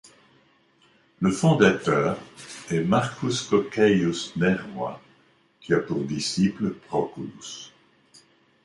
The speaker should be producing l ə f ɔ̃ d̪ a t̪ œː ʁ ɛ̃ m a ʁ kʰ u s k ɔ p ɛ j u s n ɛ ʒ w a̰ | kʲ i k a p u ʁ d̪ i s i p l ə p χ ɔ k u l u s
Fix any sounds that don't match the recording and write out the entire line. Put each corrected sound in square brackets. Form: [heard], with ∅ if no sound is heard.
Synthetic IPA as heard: l ə f ɔ̃ d̪ a t̪ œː ʁ [ɛ] m a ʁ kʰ u s k ɔ [k] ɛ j u s n ɛ [ʁ] w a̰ | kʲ i [∅] a p u ʁ d̪ i s i p l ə p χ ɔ k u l u s